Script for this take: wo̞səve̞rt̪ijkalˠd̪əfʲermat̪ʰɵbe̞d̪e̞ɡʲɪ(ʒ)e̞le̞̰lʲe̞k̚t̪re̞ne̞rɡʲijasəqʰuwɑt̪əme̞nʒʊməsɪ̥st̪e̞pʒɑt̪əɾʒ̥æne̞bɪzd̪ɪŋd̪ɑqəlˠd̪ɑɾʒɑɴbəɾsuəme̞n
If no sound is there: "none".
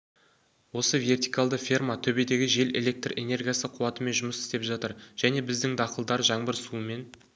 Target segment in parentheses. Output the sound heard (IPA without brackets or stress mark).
ʒ